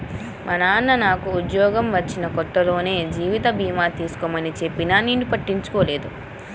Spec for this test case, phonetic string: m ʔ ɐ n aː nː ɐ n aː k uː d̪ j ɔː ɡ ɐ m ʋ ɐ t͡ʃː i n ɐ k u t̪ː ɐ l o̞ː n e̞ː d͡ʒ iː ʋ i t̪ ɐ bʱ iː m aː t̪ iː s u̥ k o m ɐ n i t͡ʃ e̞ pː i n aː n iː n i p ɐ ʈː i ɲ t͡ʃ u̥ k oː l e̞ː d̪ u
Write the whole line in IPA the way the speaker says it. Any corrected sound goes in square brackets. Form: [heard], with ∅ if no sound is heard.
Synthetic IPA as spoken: m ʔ ɐ n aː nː ɐ n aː k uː d̪ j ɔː ɡ ɐ m ʋ ɐ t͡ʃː i n ɐ k [ɔ] t̪ː ɐ l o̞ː n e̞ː d͡ʒ iː ʋ i t̪ ɐ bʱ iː m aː t̪ iː s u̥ k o m ɐ n i t͡ʃ e̞ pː i n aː n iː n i p ɐ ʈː i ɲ t͡ʃ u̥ k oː l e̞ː d̪ u